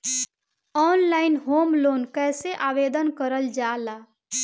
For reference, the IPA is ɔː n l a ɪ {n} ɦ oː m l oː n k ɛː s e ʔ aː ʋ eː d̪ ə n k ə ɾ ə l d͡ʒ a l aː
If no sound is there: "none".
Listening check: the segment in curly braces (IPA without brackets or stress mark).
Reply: n